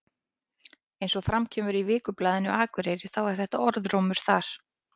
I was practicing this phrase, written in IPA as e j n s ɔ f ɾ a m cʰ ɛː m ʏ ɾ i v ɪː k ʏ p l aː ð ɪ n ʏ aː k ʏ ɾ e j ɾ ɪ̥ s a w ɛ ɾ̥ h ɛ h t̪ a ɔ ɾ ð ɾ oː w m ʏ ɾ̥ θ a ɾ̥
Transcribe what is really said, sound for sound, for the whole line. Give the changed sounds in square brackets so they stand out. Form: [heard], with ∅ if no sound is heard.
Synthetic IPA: e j n s ɔ f ɾ a m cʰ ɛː m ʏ ɾ i v ɪː k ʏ p l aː ð ɪ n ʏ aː k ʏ ɾ e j ɾ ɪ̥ [θ] a w ɛ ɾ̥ [θ] ɛ h t̪ a ɔ ɾ ð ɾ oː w m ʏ ɾ̥ θ a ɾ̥